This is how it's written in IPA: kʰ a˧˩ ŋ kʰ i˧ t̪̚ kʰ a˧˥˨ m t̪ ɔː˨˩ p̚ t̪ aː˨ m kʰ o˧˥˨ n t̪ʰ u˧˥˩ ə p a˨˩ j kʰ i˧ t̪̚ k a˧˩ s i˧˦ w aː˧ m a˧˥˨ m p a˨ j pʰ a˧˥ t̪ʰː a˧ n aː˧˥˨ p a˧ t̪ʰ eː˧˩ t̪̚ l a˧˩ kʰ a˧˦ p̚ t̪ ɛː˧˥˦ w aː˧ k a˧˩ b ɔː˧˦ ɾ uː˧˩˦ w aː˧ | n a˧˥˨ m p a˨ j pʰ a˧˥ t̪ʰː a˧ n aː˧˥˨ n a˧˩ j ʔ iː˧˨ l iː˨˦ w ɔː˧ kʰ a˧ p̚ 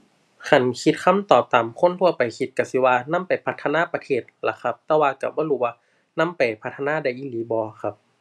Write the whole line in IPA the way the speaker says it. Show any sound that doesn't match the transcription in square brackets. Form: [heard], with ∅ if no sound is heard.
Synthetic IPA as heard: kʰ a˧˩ [n] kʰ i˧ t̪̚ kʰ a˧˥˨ m t̪ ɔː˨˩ p̚ t̪ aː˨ m kʰ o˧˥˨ n t̪ʰ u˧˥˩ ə p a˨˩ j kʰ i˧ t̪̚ k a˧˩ s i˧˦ w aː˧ [n] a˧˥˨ m p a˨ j pʰ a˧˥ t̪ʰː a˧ n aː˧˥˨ p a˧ t̪ʰ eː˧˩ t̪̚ l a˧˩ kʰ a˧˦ p̚ t̪ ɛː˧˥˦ w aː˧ k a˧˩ b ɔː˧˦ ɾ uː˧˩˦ w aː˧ | n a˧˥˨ m p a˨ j pʰ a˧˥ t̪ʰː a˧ n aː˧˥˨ [d] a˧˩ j ʔ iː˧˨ l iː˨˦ [b] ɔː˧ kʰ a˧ p̚